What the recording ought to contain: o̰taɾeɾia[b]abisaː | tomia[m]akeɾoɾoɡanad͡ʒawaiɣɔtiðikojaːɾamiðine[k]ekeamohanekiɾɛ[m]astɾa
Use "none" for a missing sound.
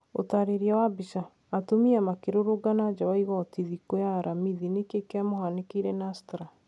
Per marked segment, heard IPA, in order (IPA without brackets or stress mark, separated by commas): w, m, k, n